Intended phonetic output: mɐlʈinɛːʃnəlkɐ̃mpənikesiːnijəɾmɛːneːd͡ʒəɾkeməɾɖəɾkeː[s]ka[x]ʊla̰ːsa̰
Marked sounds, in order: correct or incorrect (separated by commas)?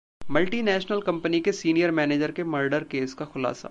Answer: correct, correct